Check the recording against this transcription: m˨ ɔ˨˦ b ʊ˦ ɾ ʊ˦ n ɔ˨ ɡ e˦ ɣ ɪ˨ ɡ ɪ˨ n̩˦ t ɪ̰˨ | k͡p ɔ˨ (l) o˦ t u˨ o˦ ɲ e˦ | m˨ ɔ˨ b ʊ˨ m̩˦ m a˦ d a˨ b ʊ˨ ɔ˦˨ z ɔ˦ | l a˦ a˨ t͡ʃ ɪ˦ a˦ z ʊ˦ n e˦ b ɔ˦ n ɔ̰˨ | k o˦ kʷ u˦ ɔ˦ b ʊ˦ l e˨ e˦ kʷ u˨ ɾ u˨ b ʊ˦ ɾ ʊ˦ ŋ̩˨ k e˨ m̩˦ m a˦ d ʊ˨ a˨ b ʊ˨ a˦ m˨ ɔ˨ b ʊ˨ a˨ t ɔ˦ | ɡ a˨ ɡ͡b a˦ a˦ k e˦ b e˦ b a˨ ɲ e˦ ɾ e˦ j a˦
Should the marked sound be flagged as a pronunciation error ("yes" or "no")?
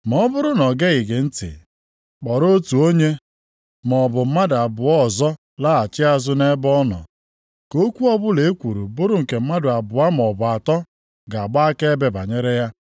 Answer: yes